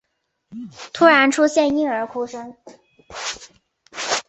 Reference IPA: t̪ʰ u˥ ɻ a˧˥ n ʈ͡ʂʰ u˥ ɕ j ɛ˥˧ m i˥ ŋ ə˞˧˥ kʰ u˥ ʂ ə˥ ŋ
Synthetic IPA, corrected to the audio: t̪ʰ u˥ ɻ a˧˥ n ʈ͡ʂʰ u˥ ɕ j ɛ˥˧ n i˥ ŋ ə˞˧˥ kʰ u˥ ʂ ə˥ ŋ